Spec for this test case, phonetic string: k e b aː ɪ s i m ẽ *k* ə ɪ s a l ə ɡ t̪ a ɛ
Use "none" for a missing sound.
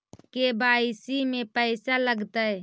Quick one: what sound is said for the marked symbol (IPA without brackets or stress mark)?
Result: p